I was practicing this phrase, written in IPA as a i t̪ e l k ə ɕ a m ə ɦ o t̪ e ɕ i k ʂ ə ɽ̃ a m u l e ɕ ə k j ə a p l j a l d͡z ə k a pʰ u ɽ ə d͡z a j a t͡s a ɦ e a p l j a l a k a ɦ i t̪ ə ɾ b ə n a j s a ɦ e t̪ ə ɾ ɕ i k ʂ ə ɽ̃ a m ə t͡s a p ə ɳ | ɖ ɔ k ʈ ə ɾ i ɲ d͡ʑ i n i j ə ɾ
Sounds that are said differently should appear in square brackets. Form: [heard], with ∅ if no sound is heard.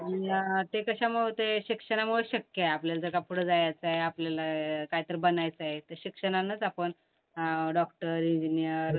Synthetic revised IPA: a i t̪ e [∅] k ə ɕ a m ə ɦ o t̪ e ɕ i k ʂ ə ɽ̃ a m u [ɭ] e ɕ ə k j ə a p l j a l d͡z ə k a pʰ u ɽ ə d͡z a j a t͡s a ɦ e a p l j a l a k a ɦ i t̪ ə ɾ b ə n a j [t͡s] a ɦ e t̪ ə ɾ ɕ i k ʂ ə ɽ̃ a [n] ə t͡s a p ə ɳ | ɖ ɔ k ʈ ə ɾ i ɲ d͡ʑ i n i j ə ɾ

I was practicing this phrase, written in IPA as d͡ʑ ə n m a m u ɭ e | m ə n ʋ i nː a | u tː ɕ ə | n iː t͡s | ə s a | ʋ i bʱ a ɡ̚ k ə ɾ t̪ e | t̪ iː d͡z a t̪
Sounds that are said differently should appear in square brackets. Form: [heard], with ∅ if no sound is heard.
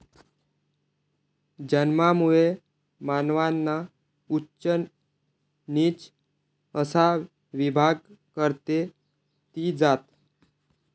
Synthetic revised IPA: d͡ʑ ə n m a m u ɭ e | m [a] n ʋ [a] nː a | u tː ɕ ə | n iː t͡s | ə s a | ʋ i bʱ a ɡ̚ k ə ɾ t̪ e | t̪ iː d͡z a t̪

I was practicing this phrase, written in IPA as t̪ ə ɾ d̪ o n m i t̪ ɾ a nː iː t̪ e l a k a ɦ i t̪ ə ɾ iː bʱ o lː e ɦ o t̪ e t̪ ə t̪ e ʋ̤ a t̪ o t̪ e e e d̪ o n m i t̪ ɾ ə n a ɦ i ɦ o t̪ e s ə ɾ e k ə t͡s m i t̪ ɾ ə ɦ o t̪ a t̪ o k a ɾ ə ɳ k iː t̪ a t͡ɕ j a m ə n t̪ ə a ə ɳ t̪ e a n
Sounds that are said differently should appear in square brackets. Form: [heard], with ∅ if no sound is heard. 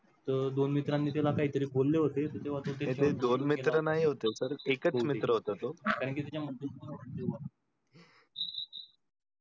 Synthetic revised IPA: t̪ ə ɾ d̪ o n m i t̪ ɾ a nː iː t̪ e l a k a ɦ i t̪ ə ɾ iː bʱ o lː e ɦ o t̪ e t̪ ə t̪ e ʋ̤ a t̪ o t̪ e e e d̪ o n m i t̪ ɾ ə n a ɦ i ɦ o t̪ e s ə ɾ e k ə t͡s m i t̪ ɾ ə ɦ o t̪ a t̪ o k a ɾ ə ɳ k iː t̪ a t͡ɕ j a m ə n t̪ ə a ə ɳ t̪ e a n

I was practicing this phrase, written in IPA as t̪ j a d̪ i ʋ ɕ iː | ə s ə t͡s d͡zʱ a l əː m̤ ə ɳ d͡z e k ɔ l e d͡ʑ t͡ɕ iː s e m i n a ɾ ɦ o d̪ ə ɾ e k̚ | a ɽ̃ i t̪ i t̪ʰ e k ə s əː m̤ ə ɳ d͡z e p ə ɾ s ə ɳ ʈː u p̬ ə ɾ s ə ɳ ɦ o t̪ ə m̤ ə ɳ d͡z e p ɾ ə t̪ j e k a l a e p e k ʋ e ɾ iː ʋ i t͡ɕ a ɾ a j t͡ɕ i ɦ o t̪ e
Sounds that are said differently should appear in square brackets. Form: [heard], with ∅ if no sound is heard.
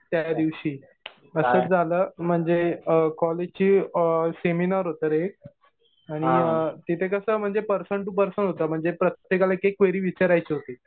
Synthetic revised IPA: t̪ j a d̪ i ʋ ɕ iː | ə s ə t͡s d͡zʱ a l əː m̤ ə ɳ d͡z e k ɔ l e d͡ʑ t͡ɕ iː s e m i n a ɾ ɦ o [t̪] ə ɾ e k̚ | a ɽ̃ i t̪ i t̪ʰ e k ə s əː m̤ ə ɳ d͡z e p ə ɾ s ə ɳ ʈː u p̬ ə ɾ s ə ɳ ɦ o t̪ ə m̤ ə ɳ d͡z e p ɾ ə t̪ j e k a l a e [k] e k ʋ e ɾ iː ʋ i t͡ɕ a ɾ a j t͡ɕ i ɦ o t̪ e

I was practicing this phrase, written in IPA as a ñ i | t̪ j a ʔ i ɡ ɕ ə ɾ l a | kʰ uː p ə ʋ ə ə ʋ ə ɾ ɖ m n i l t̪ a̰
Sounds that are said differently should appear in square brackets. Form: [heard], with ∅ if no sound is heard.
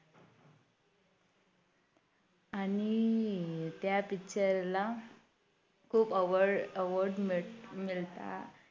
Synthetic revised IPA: a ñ i | t̪ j a [p] i [k] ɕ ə ɾ l a | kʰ uː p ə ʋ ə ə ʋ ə ɾ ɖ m [m] i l t̪ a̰

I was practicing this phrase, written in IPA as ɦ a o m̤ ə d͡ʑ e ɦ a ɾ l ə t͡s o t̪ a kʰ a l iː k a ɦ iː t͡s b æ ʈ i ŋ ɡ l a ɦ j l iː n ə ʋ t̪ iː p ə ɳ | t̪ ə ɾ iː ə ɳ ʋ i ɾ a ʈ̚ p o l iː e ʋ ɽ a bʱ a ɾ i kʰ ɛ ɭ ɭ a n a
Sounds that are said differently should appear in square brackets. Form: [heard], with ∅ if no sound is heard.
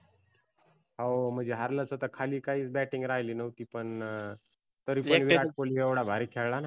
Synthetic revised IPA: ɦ a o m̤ ə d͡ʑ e ɦ a ɾ l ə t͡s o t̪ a kʰ a l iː k a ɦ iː t͡s b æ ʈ i ŋ ɡ [ɾ] a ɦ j l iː n ə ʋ t̪ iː p ə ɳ | t̪ ə ɾ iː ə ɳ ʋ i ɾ a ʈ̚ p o l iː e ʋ ɽ a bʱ a ɾ i kʰ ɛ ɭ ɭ a n a

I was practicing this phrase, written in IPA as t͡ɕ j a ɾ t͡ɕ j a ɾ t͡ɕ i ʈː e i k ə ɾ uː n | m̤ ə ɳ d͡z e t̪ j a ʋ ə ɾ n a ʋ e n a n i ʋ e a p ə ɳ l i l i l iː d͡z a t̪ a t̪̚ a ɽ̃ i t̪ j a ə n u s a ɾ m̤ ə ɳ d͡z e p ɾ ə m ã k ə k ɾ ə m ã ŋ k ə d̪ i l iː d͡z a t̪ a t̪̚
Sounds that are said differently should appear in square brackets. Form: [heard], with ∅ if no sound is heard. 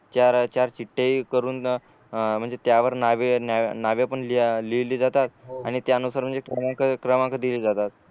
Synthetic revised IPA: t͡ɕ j a ɾ t͡ɕ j a ɾ t͡ɕ i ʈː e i k ə ɾ uː n | m̤ ə ɳ d͡z e t̪ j a ʋ ə ɾ n a ʋ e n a n [a] ʋ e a p ə ɳ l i l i l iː d͡z a t̪ a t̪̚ a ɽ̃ i t̪ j a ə n u s a ɾ m̤ ə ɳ d͡z e [k] ɾ ə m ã k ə k ɾ ə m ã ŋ k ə d̪ i l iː d͡z a t̪ a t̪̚

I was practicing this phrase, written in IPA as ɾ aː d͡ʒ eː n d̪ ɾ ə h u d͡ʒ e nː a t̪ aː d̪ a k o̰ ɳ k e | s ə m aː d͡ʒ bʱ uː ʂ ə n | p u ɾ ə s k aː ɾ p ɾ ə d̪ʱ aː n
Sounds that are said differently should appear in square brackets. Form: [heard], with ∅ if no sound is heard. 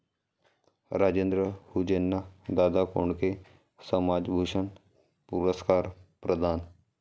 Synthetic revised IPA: ɾ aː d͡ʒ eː n d̪ ɾ ə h u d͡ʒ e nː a [d̪] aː d̪ a k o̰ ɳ k e | s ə m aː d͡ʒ bʱ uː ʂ ə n | p u ɾ ə s k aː ɾ p ɾ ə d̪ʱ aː n

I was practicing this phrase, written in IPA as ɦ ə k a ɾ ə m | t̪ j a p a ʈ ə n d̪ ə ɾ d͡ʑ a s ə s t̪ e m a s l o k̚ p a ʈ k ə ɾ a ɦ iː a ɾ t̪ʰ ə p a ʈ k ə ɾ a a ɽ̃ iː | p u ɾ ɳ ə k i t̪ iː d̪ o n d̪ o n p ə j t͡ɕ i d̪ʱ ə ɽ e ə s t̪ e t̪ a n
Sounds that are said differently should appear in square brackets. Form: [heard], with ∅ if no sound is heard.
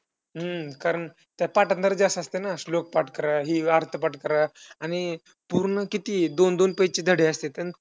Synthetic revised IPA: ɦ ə k a ɾ ə [ɳ] | t̪ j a p a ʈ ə n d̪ ə ɾ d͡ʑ a s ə s t̪ e [n] a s l o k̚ p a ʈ k ə ɾ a ɦ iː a ɾ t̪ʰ ə p a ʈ k ə ɾ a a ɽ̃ [i] | p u ɾ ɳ ə k i t̪ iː d̪ o n d̪ o n p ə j t͡ɕ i d̪ʱ ə ɽ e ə s t̪ e t̪ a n

